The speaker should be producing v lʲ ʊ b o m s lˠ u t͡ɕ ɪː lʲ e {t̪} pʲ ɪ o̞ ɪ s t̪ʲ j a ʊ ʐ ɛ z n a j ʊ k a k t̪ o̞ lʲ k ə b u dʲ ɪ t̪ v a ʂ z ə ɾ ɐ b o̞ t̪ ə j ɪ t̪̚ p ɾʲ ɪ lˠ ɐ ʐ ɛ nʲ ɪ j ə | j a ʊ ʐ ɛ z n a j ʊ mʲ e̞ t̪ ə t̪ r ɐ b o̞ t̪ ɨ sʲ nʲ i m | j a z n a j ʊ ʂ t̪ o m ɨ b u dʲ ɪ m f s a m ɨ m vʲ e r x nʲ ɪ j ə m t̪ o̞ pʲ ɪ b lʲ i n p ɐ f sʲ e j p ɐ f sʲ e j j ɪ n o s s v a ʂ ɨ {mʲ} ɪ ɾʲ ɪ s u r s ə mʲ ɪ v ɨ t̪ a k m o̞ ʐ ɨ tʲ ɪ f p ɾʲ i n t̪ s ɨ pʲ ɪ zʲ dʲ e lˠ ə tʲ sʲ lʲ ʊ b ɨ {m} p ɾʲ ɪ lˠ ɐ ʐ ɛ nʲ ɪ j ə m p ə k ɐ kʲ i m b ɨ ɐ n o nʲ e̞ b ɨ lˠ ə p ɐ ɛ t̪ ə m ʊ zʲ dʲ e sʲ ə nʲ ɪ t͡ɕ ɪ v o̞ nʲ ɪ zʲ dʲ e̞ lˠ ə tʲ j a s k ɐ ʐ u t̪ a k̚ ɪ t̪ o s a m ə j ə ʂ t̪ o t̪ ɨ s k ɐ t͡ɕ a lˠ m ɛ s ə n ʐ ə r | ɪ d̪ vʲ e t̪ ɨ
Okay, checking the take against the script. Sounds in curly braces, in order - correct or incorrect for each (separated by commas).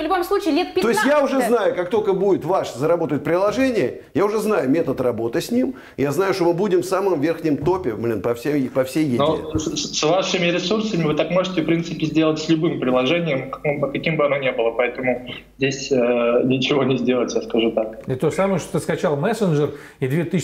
correct, correct, correct